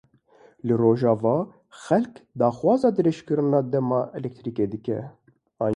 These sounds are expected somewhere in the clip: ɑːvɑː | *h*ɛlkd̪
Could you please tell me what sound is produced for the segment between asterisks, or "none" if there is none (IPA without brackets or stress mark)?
x